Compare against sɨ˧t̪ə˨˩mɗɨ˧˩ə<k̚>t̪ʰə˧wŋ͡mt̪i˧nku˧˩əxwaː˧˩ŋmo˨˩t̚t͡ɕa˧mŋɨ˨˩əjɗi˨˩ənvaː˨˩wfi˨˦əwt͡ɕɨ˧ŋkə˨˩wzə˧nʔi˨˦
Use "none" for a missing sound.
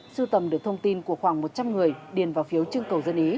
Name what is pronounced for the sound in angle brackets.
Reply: k̚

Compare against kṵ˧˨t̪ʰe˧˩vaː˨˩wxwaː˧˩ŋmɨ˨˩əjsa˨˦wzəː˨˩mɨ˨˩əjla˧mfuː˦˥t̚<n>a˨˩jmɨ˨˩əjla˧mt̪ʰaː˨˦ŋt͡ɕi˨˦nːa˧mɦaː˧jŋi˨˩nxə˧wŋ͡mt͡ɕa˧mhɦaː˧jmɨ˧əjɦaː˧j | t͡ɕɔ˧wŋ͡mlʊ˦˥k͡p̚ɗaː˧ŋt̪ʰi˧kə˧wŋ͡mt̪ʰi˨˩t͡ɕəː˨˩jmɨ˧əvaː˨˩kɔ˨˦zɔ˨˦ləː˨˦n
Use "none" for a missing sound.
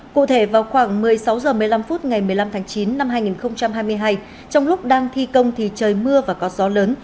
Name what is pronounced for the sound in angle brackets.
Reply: ŋ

